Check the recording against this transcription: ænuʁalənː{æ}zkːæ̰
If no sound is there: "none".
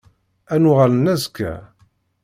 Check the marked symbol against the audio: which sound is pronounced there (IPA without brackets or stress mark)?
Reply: æ